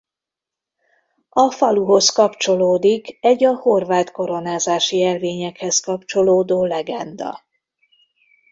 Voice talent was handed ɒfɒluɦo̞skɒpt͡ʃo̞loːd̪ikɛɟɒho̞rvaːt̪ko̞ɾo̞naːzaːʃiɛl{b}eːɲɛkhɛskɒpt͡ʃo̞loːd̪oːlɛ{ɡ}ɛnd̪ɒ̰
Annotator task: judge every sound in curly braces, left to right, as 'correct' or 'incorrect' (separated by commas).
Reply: incorrect, correct